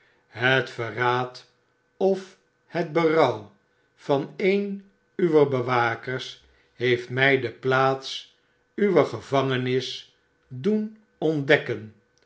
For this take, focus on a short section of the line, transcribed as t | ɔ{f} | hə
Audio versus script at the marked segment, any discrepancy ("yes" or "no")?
no